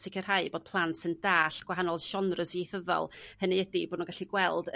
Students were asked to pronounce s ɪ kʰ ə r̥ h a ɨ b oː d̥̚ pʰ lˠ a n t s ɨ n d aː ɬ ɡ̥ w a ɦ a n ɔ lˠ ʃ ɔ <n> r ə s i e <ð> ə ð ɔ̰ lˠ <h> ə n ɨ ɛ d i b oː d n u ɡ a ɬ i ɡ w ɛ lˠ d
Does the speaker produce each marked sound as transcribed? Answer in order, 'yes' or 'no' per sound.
yes, no, yes

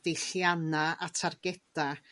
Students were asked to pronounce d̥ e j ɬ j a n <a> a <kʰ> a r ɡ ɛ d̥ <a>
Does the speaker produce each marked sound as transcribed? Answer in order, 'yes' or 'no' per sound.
yes, no, yes

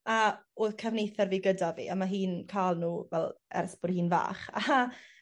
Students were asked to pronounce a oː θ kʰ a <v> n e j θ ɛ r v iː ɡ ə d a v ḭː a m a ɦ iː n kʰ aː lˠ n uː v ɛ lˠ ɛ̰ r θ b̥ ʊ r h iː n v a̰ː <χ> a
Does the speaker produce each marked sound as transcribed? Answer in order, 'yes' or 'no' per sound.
yes, yes

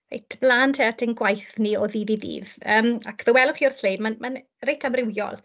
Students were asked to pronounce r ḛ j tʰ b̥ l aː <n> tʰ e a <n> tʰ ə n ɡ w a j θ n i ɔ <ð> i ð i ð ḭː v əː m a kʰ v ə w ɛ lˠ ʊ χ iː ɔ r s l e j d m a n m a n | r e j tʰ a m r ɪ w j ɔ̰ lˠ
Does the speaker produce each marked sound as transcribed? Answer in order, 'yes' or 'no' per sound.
yes, no, yes

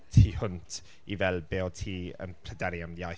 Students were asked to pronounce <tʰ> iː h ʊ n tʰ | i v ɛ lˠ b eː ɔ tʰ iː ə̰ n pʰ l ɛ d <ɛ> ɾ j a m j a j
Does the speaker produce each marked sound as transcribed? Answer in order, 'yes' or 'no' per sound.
yes, yes

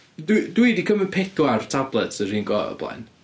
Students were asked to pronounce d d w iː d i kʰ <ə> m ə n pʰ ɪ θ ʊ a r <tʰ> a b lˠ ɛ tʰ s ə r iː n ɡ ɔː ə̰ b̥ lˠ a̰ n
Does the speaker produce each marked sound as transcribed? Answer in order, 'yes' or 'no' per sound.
yes, yes

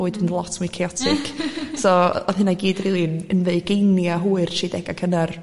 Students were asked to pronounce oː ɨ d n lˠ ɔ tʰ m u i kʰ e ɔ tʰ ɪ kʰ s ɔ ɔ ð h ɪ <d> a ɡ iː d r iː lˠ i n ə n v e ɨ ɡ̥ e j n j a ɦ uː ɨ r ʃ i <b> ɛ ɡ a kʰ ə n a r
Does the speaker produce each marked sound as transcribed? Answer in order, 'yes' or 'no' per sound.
no, no

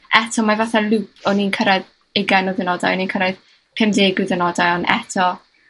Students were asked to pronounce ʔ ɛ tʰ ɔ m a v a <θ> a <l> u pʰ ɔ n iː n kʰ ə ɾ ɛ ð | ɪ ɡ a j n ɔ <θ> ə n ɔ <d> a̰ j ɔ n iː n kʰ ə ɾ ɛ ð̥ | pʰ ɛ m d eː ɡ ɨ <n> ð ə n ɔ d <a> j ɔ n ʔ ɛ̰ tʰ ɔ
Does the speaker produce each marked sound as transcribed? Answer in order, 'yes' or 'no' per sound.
yes, yes, no, yes, no, yes

